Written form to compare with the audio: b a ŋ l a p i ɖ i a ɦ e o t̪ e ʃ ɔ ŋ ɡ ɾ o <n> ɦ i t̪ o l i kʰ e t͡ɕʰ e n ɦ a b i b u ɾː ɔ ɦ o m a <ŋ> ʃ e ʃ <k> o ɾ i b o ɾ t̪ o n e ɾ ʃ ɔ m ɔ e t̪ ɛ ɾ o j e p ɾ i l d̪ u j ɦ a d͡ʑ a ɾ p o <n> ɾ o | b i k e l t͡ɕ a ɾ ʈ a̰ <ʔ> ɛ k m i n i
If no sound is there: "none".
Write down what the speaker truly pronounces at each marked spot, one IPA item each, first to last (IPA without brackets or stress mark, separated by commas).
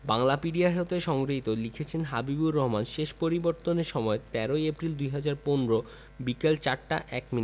none, n, p, n, ʔ